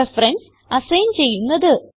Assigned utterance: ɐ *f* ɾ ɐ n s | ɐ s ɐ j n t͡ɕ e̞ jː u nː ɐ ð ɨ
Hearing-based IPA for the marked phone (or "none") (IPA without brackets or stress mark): f